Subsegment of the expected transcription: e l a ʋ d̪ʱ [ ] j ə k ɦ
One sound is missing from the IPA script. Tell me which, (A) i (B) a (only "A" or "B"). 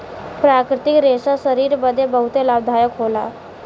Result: B